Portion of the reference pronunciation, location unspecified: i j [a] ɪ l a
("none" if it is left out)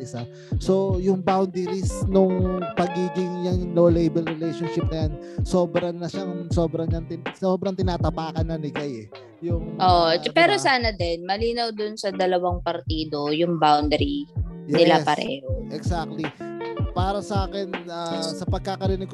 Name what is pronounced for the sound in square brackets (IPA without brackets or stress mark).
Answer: ɛ